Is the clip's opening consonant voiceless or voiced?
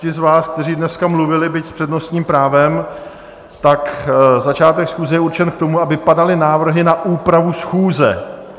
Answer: voiced